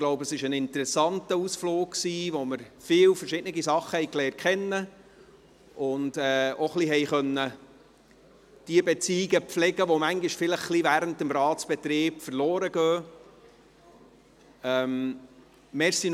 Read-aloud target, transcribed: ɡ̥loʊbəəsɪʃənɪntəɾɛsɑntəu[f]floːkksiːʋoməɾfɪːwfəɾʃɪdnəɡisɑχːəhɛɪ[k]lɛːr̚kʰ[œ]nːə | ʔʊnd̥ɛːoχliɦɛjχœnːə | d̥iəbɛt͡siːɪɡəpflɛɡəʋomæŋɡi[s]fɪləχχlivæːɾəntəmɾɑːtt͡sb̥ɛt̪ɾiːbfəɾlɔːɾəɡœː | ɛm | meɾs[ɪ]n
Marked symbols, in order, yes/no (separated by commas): no, yes, no, no, no